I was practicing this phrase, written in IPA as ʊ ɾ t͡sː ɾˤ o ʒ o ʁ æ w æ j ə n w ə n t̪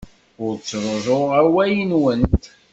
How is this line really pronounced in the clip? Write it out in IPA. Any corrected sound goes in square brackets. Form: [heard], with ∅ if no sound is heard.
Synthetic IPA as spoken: ʊ ɾ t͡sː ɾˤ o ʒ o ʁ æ w æ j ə n w ə n t̪